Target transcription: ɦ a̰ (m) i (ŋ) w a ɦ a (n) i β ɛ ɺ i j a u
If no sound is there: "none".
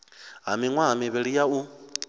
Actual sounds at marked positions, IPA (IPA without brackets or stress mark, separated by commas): m, ŋ, m